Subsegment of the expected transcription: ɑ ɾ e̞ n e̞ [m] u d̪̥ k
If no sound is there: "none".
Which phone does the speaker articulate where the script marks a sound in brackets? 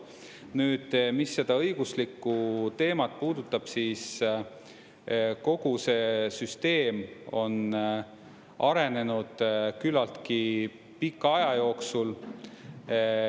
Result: n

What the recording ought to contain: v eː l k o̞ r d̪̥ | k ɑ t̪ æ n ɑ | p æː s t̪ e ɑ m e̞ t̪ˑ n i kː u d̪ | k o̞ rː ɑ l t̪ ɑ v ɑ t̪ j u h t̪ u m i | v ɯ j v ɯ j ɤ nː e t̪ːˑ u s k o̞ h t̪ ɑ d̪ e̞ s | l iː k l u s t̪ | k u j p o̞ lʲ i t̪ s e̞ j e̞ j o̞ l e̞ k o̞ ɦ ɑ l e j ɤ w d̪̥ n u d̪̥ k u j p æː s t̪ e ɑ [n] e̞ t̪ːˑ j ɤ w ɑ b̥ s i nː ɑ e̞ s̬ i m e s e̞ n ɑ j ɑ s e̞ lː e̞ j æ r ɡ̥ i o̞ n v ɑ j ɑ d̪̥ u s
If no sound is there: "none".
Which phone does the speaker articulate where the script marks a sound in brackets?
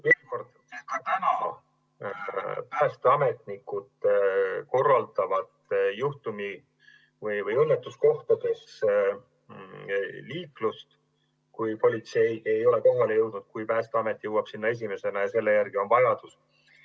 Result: m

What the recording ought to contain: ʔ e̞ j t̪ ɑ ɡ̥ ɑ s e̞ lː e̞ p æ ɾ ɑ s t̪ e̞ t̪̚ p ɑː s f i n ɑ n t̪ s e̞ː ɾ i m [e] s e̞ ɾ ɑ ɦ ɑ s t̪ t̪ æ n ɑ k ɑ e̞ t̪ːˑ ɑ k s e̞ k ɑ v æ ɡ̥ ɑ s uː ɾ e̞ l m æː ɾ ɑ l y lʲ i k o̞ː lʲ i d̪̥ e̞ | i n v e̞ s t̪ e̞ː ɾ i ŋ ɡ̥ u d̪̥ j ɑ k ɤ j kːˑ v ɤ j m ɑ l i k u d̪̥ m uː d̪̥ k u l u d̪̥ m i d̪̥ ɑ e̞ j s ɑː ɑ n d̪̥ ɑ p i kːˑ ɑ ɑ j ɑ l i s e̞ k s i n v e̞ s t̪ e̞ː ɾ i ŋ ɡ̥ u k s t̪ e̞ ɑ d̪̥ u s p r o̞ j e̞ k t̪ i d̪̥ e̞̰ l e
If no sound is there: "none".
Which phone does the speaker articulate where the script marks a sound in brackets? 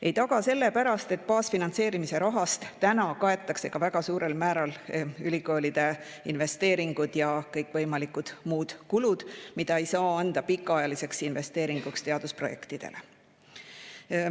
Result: i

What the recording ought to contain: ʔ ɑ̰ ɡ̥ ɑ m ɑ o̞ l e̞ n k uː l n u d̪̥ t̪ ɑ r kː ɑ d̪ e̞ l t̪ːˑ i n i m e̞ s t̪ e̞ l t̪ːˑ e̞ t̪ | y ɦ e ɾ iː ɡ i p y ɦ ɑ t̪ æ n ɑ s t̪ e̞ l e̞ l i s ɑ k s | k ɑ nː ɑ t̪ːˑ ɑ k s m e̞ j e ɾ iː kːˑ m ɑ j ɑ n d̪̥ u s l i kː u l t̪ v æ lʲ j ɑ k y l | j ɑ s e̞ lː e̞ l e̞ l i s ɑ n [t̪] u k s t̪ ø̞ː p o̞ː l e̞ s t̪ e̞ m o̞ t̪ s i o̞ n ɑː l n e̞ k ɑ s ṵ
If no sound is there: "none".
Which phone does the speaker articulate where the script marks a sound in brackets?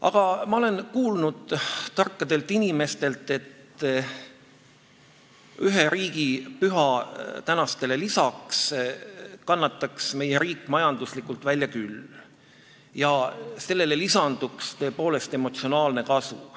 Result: d̪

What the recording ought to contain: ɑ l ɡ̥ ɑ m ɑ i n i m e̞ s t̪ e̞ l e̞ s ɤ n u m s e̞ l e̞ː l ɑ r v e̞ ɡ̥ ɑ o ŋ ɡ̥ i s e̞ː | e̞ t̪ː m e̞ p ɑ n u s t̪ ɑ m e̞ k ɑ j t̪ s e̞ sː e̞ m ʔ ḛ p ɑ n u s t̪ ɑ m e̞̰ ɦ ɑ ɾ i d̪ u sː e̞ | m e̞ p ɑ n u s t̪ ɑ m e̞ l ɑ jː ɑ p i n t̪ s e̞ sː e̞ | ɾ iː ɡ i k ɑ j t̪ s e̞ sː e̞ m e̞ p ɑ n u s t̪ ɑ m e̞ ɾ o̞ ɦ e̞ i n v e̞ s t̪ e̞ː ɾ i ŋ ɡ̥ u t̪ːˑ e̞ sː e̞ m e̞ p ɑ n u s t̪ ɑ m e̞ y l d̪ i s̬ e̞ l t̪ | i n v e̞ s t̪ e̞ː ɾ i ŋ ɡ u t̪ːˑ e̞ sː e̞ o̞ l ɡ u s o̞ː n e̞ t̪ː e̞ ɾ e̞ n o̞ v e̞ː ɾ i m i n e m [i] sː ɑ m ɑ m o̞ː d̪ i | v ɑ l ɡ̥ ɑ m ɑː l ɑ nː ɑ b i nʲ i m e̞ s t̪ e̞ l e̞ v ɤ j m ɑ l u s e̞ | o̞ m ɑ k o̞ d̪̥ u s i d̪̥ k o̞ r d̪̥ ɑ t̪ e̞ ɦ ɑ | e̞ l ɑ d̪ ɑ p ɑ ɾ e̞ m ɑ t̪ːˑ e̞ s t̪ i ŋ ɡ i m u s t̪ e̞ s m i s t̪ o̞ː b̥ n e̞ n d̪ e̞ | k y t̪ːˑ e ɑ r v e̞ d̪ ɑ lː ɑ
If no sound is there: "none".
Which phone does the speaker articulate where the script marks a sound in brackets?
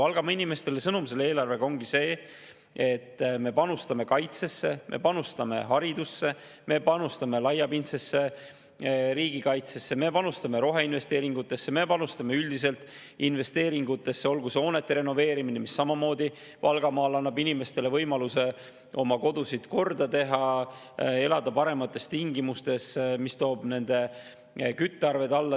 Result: i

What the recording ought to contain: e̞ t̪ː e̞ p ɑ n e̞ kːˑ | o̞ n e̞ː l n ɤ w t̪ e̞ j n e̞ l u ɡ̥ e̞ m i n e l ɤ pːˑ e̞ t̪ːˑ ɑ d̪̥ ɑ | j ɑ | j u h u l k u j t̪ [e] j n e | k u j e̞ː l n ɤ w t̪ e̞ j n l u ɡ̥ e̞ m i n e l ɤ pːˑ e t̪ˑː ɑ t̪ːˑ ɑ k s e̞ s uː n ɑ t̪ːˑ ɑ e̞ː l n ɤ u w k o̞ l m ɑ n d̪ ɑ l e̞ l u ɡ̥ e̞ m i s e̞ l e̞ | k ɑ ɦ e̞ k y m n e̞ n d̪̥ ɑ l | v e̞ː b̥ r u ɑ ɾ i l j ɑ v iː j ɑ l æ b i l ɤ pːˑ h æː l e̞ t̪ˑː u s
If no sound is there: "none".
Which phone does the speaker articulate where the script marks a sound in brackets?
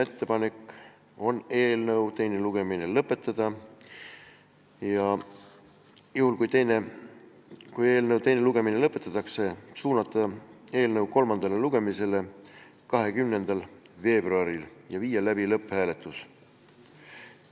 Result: e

